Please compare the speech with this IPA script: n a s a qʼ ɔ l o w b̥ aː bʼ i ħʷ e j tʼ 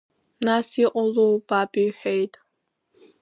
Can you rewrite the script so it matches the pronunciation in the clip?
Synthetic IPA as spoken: n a s i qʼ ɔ l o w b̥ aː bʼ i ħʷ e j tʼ